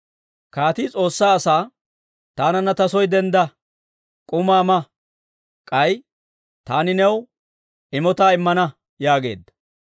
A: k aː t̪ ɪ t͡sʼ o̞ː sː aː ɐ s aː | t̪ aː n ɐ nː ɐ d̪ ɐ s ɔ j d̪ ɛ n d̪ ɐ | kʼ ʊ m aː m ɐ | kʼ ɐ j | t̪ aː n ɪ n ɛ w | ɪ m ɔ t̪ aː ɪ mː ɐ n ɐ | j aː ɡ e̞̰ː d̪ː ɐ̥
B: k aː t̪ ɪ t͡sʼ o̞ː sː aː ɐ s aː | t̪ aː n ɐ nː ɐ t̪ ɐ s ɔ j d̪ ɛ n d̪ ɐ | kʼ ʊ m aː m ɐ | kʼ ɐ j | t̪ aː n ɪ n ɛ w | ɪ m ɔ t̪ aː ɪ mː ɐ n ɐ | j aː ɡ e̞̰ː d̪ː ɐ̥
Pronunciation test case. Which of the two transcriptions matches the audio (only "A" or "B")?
B